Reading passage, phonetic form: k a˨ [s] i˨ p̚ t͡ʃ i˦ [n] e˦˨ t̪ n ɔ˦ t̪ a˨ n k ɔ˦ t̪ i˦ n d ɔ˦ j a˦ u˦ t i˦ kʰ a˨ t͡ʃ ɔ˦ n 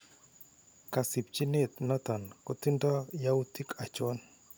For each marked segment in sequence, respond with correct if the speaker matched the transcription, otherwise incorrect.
correct, correct

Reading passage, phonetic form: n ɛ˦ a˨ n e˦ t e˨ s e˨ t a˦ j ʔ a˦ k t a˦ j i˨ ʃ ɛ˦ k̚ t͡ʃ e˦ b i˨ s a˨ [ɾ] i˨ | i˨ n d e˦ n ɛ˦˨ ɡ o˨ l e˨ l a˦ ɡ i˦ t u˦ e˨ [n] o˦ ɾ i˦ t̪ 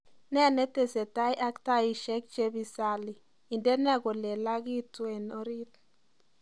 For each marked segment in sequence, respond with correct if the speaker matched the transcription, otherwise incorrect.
incorrect, correct

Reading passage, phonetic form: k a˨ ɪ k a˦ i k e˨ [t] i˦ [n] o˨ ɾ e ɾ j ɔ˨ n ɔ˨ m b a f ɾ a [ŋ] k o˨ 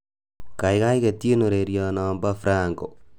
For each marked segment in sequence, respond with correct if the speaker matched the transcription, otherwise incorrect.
correct, correct, correct

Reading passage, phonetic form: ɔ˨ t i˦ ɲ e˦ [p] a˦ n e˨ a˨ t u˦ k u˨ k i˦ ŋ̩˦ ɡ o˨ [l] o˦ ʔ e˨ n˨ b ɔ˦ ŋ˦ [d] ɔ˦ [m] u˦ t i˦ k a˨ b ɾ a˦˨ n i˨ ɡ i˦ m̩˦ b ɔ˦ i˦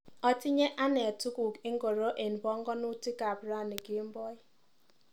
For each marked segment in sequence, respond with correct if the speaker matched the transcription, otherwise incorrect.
incorrect, incorrect, incorrect, incorrect

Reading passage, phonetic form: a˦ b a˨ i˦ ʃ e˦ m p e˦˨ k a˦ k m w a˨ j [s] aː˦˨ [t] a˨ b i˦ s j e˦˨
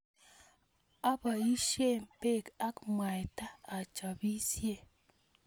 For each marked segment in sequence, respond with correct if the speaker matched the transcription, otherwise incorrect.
incorrect, incorrect

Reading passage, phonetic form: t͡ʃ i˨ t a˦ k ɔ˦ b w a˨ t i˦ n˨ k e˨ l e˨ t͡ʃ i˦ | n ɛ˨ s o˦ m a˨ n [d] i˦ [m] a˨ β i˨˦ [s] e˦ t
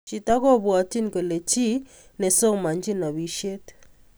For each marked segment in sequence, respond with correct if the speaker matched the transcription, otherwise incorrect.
incorrect, incorrect, incorrect

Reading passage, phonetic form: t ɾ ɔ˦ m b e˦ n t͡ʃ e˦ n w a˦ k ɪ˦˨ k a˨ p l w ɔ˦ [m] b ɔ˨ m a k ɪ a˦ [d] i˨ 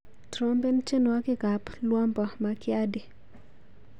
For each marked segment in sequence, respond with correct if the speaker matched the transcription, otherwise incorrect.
correct, correct

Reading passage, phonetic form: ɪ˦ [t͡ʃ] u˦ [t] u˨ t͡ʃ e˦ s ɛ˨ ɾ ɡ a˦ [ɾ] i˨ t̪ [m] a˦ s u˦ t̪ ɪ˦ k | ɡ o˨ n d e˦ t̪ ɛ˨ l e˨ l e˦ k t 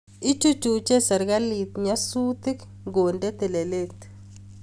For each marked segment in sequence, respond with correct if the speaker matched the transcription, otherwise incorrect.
correct, incorrect, incorrect, incorrect

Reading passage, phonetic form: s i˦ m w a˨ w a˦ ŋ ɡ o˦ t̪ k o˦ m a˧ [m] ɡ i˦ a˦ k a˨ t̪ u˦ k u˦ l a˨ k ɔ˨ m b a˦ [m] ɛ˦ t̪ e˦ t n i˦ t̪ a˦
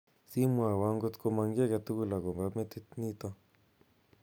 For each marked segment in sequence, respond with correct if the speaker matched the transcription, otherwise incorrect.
incorrect, correct

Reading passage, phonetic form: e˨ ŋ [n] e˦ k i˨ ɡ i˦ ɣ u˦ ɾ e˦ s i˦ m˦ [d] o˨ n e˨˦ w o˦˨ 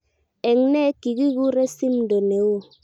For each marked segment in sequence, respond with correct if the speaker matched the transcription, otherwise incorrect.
correct, correct

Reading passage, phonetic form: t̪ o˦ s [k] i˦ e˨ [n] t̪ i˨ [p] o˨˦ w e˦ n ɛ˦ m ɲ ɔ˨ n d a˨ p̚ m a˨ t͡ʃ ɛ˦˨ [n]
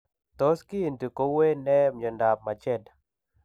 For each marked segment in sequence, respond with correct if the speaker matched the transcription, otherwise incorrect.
correct, correct, incorrect, incorrect

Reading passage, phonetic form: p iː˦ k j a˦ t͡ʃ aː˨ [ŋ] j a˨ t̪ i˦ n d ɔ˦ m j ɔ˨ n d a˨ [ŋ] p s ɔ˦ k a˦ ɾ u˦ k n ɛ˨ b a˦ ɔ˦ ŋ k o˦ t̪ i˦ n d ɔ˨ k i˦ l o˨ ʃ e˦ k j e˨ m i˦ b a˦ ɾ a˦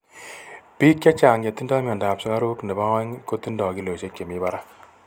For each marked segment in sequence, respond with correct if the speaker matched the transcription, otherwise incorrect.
correct, incorrect

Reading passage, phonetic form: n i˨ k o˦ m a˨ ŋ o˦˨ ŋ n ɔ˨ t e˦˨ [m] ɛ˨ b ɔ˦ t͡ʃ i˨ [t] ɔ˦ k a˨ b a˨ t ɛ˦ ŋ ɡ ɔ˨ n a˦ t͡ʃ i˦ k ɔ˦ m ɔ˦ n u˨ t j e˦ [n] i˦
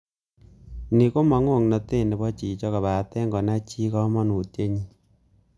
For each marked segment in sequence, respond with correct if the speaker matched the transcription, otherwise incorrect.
incorrect, incorrect, incorrect

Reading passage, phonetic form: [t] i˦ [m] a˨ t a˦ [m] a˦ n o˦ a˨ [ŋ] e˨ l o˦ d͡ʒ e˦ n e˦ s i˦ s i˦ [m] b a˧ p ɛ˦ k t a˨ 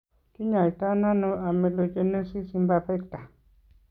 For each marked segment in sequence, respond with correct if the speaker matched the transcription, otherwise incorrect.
incorrect, incorrect, incorrect, incorrect, correct

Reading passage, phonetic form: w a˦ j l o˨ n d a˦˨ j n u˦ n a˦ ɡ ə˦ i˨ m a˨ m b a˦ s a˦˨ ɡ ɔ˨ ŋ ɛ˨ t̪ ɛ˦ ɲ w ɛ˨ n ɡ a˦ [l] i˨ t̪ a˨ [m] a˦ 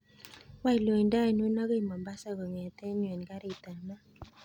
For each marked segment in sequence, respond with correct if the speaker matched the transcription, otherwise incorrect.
incorrect, incorrect

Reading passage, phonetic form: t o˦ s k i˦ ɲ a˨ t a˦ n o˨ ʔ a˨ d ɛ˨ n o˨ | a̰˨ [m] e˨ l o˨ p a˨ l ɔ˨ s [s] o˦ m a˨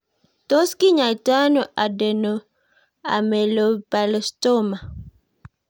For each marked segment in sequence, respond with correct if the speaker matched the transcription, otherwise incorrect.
correct, incorrect

